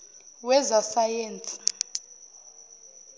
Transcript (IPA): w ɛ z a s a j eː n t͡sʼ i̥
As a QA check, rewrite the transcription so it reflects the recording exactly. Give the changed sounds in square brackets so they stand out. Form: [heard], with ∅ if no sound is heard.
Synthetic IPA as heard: w ɛ z a s a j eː n t͡sʼ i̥